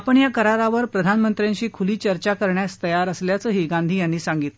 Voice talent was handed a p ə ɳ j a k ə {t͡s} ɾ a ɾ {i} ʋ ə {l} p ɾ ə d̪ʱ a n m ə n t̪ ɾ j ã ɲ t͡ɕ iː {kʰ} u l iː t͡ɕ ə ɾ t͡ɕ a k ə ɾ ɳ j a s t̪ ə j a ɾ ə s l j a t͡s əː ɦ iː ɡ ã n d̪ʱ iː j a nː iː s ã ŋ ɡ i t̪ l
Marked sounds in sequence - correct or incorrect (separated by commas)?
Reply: incorrect, incorrect, incorrect, correct